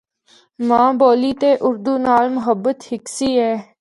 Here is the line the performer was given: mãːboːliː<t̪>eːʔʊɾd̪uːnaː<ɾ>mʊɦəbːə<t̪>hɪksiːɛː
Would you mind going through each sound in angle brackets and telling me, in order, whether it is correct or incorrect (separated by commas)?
correct, incorrect, correct